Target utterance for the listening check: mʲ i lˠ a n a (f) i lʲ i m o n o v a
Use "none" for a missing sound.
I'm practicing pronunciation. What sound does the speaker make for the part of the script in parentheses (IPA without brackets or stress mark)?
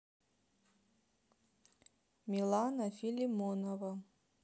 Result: f